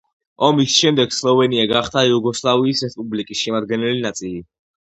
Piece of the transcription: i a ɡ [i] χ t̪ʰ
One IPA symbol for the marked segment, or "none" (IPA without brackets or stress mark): a